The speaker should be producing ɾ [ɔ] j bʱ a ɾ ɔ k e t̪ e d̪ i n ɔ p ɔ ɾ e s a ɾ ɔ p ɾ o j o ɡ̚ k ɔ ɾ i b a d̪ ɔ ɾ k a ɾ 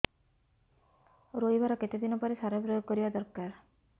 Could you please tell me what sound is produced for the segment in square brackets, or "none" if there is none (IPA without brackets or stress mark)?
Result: o